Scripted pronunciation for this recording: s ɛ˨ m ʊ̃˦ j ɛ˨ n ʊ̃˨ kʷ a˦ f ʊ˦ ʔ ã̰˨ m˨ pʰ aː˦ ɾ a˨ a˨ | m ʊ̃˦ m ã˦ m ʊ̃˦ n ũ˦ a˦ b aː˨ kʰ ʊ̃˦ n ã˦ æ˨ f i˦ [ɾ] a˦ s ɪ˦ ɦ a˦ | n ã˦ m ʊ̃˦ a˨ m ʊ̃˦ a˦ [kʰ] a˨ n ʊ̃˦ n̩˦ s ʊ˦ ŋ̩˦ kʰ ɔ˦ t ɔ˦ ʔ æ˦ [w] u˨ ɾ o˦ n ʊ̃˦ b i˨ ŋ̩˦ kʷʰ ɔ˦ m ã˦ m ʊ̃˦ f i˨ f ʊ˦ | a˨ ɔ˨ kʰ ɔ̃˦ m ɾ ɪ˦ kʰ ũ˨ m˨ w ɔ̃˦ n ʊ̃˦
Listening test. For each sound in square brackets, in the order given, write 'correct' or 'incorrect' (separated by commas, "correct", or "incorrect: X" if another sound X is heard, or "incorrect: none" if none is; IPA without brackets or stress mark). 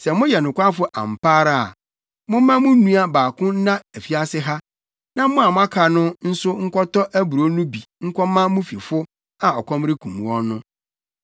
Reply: incorrect: none, correct, incorrect: b